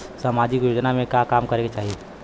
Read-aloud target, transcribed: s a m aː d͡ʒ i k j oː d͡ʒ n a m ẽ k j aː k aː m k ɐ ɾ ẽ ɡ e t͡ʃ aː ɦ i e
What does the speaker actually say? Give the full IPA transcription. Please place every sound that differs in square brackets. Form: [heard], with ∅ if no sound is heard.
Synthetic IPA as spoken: s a m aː d͡ʒ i k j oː d͡ʒ n a m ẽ k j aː k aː m k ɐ ɾ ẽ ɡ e t͡ʃ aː ɦ i e